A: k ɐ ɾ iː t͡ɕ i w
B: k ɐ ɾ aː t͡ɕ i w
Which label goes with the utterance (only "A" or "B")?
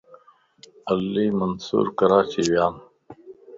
B